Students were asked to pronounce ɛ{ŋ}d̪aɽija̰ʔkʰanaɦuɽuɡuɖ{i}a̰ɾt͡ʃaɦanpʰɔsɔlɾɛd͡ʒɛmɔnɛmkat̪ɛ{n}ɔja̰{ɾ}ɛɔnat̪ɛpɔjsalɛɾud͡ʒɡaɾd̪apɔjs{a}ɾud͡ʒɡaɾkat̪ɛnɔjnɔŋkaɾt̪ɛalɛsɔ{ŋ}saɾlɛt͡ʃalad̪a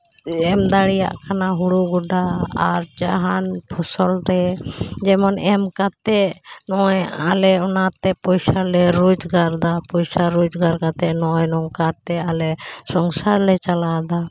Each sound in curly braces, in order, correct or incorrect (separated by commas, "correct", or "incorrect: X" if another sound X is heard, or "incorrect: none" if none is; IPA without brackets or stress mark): incorrect: m, incorrect: a, correct, incorrect: l, correct, correct